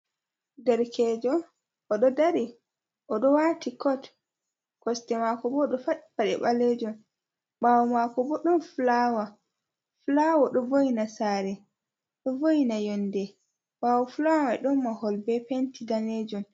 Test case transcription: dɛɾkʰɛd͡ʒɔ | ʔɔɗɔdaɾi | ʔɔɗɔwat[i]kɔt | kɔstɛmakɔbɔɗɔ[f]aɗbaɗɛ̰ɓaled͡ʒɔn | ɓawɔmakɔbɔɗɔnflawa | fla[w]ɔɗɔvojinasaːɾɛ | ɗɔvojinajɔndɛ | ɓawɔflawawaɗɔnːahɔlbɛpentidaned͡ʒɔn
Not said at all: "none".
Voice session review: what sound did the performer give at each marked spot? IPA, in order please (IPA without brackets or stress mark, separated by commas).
i, f, w